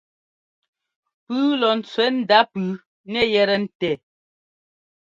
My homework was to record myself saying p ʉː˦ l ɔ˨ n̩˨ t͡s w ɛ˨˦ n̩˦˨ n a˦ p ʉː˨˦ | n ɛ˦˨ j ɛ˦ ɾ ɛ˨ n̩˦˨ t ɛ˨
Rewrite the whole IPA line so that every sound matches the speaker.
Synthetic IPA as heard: p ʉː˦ l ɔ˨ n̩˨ t͡s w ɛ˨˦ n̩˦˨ d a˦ p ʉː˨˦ | n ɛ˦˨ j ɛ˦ ɾ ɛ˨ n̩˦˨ t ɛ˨